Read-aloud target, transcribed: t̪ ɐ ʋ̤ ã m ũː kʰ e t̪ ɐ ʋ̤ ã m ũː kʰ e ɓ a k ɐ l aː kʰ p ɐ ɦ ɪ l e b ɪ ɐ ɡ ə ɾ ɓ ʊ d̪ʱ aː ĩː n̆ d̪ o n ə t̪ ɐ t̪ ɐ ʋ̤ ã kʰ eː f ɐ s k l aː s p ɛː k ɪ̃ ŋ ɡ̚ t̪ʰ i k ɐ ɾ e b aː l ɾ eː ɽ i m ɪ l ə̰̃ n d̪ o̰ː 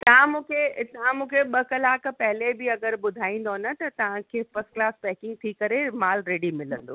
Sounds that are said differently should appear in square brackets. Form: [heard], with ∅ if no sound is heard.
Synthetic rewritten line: t̪ ɐ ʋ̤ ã m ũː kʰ e t̪ ɐ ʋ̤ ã m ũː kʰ e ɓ [ɐ] k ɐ l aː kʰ p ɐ ɦ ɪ l e b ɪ ɐ ɡ ə ɾ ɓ ʊ d̪ʱ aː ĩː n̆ d̪ o n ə t̪ ɐ t̪ ɐ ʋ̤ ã kʰ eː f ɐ s k l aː s p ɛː k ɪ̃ ŋ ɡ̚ t̪ʰ i k ɐ ɾ e [m] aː l ɾ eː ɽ i m ɪ l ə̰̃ n d̪ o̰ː

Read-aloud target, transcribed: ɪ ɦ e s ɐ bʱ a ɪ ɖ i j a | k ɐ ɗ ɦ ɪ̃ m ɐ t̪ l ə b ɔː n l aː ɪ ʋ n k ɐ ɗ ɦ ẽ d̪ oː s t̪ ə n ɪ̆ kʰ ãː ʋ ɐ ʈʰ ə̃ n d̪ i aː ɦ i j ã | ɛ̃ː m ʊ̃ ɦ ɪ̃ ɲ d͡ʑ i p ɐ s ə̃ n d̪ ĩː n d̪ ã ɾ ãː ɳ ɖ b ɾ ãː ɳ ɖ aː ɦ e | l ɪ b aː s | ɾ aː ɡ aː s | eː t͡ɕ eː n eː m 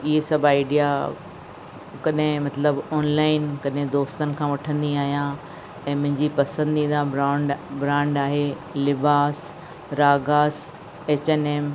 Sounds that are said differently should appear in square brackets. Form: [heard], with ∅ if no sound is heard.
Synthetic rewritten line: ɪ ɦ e s ɐ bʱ a ɪ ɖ i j a | k ɐ ɗ ɦ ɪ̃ m ɐ t̪ l ə b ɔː n l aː ɪ [∅] n k ɐ ɗ ɦ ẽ d̪ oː s t̪ ə n ɪ̆ kʰ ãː ʋ ɐ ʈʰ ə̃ n d̪ i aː ɦ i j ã | ɛ̃ː m ʊ̃ ɦ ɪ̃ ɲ d͡ʑ i p ɐ s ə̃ n d̪ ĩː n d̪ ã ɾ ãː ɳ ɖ b ɾ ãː ɳ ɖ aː ɦ e | l ɪ b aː s | ɾ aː ɡ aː s | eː t͡ɕ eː n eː m

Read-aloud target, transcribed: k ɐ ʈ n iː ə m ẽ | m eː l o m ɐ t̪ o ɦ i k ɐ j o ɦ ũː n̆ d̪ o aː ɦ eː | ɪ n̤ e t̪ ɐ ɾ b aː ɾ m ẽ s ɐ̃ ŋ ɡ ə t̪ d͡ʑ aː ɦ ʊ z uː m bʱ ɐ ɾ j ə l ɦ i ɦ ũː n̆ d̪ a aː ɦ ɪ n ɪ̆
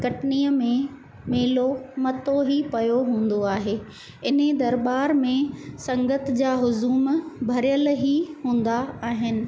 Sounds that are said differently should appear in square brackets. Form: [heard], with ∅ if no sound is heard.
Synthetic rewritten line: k ɐ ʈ n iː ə m ẽ | m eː l o m ɐ t̪ o ɦ i [p] ɐ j o ɦ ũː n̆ d̪ o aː ɦ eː | ɪ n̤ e [d̪] ɐ ɾ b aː ɾ m ẽ s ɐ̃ ŋ ɡ ə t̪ d͡ʑ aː ɦ ʊ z uː m bʱ ɐ ɾ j ə l ɦ i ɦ ũː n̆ d̪ a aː ɦ ɪ n ɪ̆

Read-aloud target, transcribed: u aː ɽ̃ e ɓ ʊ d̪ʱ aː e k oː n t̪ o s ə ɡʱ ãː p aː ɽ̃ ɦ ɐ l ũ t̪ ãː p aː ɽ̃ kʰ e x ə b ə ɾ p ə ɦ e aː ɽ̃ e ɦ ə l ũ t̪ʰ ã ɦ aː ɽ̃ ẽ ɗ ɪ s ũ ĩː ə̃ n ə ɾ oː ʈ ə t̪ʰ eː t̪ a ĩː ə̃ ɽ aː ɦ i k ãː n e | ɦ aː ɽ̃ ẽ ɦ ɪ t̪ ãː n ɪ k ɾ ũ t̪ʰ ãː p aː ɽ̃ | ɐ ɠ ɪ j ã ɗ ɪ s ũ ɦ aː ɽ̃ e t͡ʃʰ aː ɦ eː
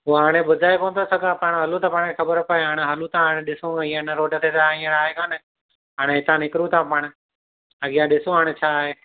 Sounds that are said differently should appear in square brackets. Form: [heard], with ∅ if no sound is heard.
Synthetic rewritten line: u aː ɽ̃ e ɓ ʊ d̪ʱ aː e k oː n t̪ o s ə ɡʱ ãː p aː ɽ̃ ɦ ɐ l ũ t̪ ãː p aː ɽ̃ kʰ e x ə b ə ɾ p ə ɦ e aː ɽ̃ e ɦ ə l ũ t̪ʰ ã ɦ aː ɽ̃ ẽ ɗ ɪ s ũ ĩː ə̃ n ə ɾ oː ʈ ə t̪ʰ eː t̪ a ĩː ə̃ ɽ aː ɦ [e] k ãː n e | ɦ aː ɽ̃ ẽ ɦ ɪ t̪ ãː n ɪ k ɾ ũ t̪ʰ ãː p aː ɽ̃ | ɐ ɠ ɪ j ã ɗ ɪ s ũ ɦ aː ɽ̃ e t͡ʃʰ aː ɦ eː

